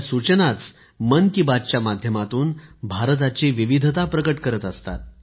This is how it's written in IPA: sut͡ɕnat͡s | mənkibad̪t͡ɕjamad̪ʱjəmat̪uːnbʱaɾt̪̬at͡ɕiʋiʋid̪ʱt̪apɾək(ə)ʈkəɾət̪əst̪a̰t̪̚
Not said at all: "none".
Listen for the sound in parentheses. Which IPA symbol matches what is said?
ə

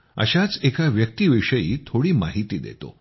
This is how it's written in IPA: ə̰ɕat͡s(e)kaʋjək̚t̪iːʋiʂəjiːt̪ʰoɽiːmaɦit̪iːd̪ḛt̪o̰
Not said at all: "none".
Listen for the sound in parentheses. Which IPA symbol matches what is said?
e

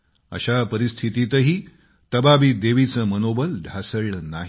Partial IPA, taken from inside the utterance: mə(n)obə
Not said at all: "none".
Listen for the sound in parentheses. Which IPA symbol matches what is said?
n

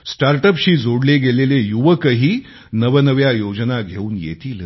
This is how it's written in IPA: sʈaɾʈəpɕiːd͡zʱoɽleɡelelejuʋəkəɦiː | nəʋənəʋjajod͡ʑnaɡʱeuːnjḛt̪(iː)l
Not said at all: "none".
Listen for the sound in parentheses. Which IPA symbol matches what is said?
iː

